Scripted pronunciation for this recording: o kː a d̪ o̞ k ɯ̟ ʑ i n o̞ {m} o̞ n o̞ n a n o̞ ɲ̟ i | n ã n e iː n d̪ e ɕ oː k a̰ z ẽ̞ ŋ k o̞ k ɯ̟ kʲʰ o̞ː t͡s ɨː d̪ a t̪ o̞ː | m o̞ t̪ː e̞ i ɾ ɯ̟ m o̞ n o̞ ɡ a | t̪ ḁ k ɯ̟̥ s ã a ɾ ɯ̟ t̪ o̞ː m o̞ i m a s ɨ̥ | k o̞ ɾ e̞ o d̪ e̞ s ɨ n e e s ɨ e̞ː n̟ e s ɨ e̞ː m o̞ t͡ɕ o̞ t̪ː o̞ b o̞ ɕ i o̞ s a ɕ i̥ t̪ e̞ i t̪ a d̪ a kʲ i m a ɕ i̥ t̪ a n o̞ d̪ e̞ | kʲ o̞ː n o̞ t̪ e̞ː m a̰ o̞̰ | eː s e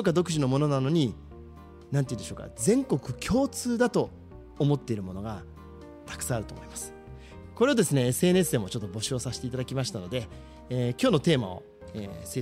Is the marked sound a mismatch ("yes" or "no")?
no